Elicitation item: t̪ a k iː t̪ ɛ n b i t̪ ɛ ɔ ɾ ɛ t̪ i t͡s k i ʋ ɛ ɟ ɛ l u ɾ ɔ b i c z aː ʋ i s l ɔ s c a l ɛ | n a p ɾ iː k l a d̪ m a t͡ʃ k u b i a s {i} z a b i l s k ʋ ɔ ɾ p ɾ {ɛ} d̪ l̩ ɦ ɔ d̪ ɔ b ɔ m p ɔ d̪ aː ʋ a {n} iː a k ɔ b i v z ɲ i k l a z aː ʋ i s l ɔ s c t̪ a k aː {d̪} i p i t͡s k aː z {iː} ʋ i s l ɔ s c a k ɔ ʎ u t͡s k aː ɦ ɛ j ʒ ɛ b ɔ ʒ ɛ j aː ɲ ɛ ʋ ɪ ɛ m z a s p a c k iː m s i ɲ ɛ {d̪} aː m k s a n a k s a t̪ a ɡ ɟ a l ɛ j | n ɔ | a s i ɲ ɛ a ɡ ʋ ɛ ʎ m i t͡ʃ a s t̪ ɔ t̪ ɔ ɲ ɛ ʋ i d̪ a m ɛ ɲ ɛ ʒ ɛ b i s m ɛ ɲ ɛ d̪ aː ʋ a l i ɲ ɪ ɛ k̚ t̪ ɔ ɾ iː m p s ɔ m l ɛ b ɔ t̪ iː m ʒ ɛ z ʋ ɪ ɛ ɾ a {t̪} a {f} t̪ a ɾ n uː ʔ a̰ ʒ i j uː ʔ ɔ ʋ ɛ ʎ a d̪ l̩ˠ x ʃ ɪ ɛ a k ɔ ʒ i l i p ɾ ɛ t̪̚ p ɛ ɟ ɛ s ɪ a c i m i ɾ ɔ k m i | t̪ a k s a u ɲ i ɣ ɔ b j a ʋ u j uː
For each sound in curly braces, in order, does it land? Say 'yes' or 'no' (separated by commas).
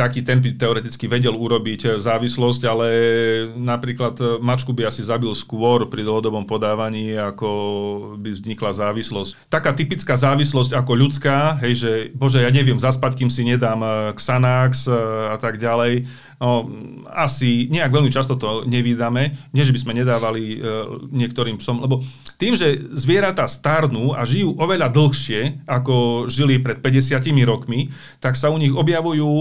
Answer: yes, no, no, no, no, yes, yes, no